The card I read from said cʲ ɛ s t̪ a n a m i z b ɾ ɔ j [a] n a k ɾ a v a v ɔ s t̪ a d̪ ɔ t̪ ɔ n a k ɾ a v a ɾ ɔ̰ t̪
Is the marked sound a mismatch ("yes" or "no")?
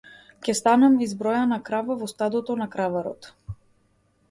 no